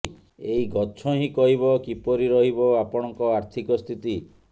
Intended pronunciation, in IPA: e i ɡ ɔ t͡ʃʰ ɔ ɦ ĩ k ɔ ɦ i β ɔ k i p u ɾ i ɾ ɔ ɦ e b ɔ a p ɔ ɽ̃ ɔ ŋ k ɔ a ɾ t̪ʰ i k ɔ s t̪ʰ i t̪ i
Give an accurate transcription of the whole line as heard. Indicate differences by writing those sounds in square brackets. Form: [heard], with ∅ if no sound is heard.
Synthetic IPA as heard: e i ɡ ɔ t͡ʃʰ ɔ ɦ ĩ k ɔ ɦ i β ɔ k i p [ɔ] ɾ i ɾ ɔ ɦ [i] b ɔ a p ɔ ɽ̃ ɔ ŋ k ɔ a ɾ t̪ʰ i k ɔ s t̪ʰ i t̪ i